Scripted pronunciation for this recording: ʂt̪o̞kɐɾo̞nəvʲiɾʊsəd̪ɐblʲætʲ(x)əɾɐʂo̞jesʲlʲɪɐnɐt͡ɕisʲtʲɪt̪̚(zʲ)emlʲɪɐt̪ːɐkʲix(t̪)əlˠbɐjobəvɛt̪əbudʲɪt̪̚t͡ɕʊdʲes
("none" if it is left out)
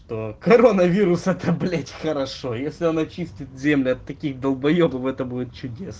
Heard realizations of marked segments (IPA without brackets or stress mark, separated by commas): x, zʲ, d̪